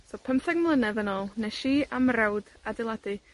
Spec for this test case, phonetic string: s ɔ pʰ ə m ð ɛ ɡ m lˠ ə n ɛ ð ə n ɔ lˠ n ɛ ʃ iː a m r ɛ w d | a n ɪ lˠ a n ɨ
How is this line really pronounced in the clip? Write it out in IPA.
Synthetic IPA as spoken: s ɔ pʰ ə m θ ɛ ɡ m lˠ ə n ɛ ð ə n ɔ lˠ n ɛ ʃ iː a m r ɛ w d | a d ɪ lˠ a d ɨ